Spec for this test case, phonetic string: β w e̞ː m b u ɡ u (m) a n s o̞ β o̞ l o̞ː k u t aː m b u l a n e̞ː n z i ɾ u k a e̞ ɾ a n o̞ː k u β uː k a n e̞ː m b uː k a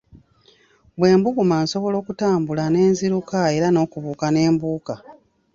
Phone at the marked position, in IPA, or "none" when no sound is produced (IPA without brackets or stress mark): m